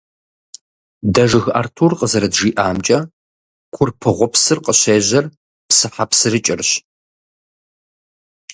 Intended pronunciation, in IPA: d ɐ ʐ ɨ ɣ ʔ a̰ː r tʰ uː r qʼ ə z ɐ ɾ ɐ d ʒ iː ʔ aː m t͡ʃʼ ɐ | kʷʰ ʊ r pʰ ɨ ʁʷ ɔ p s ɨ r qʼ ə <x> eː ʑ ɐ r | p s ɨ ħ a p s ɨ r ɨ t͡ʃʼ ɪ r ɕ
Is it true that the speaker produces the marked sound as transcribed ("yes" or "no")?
no